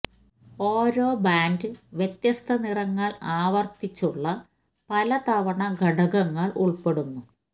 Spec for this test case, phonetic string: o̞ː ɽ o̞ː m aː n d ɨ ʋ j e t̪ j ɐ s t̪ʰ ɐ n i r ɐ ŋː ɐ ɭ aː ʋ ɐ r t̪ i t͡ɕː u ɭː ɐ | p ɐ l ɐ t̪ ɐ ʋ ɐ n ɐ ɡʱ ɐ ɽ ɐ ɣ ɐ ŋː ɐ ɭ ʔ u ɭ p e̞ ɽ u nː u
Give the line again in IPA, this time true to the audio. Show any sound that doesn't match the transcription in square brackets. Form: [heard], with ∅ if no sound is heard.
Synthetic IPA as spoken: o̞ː [ɾ] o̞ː [b] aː n d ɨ ʋ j e t̪ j ɐ s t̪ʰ ɐ n i r ɐ ŋː ɐ ɭ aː ʋ ɐ r t̪ i t͡ɕː u ɭː ɐ | p ɐ l ɐ t̪ ɐ ʋ ɐ [ɳ] ɐ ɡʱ ɐ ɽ ɐ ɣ ɐ ŋː ɐ ɭ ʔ u ɭ p e̞ ɽ u nː u